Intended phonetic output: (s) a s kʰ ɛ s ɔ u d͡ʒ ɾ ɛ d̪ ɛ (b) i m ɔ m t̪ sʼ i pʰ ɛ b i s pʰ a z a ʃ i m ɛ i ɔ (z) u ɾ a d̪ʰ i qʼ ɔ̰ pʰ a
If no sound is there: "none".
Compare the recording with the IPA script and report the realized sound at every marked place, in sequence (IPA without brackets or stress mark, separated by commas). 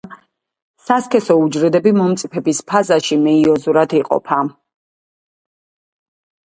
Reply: s, b, z